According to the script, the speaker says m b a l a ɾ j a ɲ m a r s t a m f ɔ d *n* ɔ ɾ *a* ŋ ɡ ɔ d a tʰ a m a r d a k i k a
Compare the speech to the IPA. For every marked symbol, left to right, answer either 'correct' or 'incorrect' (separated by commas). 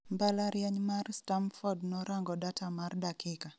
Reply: correct, correct